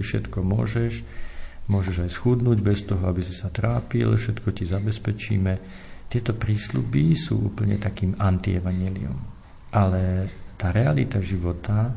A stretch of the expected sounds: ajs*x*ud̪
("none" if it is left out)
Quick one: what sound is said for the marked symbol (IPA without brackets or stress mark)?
x